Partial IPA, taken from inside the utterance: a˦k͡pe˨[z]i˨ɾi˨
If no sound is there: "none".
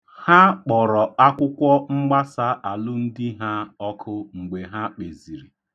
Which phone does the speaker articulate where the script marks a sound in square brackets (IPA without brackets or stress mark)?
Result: z